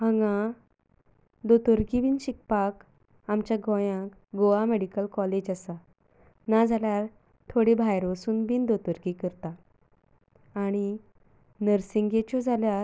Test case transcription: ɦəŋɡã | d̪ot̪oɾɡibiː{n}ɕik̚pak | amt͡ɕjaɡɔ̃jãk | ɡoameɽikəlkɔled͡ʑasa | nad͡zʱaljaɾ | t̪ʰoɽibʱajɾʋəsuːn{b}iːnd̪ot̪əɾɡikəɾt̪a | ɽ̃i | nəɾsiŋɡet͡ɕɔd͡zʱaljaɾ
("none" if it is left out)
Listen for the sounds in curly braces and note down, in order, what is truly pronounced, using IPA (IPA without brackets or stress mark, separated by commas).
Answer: n, b